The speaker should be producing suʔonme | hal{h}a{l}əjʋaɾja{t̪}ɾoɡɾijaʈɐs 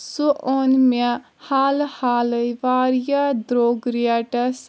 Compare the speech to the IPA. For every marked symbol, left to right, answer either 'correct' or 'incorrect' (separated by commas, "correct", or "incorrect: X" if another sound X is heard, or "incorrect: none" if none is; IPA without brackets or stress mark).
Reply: correct, correct, incorrect: d̪